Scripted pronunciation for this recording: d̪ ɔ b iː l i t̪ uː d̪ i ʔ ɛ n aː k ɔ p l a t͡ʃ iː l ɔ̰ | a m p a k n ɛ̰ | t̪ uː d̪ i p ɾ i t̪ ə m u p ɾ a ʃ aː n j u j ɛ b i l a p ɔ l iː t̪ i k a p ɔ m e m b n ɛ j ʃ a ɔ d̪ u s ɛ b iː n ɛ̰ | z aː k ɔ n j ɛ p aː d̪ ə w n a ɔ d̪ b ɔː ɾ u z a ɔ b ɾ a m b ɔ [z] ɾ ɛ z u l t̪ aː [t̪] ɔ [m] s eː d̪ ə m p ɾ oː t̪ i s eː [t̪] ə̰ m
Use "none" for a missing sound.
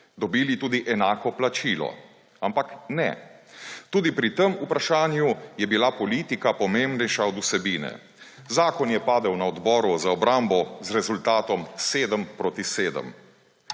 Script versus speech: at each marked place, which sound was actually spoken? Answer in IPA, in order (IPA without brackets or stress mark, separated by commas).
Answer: z, t̪, m, d̪